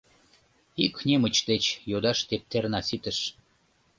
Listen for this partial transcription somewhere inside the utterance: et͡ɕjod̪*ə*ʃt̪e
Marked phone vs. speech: incorrect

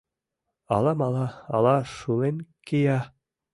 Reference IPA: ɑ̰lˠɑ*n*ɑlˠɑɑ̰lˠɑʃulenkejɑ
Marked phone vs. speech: incorrect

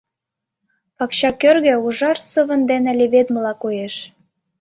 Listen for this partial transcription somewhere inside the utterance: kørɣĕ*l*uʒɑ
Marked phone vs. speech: incorrect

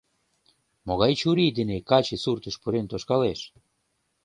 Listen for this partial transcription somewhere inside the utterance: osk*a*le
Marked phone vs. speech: correct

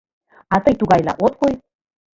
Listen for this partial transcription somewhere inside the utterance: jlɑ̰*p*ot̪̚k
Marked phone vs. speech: incorrect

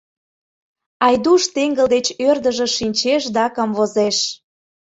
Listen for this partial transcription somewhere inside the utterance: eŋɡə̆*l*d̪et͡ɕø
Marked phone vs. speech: correct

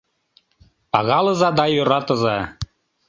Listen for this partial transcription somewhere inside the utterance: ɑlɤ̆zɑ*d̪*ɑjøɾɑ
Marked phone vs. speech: correct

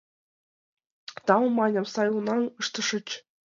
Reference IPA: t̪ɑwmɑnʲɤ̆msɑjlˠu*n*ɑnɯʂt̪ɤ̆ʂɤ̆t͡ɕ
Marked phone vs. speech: correct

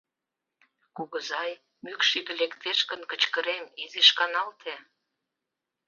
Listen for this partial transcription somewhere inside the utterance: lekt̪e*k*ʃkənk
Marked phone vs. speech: incorrect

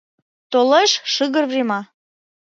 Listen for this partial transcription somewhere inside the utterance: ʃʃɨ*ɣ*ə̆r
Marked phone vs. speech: correct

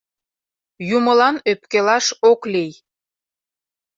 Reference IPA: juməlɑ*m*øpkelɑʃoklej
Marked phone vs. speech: incorrect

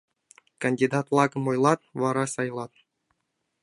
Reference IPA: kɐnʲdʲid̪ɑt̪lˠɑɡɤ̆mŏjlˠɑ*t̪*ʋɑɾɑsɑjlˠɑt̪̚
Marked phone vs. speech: correct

